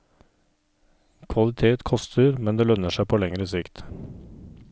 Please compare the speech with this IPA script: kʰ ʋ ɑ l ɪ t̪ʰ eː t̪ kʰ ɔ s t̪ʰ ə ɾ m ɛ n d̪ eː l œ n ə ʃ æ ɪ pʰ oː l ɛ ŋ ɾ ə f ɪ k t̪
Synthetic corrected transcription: kʰ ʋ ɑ l ɪ t̪ʰ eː t̪ kʰ ɔ s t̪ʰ ə ɾ m ɛ n d̪ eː l œ n ə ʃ æ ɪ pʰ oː l ɛ ŋ ɾ ə s ɪ k t̪